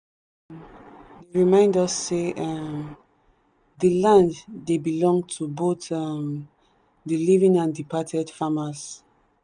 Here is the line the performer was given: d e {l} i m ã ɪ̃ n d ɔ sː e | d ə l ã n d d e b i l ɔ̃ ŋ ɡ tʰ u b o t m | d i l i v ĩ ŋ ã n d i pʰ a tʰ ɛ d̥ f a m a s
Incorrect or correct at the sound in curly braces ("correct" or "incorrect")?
incorrect